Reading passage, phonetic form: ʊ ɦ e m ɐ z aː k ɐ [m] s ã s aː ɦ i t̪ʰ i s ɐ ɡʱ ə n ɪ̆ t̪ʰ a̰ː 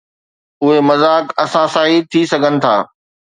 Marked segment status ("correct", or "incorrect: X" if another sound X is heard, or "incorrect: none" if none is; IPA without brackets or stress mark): incorrect: none